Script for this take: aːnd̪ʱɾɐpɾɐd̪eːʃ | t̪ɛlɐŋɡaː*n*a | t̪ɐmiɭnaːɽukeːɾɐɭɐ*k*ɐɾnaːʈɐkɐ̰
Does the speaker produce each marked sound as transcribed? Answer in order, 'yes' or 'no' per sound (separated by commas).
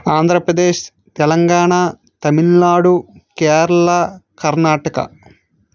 no, yes